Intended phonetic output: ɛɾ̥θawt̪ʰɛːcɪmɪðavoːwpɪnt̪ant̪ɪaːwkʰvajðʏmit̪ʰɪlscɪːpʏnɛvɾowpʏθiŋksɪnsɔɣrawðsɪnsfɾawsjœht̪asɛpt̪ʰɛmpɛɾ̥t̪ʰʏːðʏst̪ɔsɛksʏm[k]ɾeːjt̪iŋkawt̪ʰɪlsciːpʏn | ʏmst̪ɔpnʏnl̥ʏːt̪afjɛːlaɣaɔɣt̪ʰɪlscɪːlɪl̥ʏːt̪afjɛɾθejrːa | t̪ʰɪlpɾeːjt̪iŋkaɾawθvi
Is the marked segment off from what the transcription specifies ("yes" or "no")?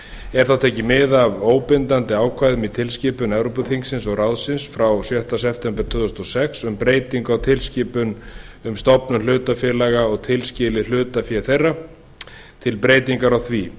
yes